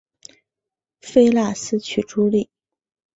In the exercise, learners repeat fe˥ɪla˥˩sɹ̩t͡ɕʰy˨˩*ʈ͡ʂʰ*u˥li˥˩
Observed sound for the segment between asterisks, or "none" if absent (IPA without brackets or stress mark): ʈ͡ʂ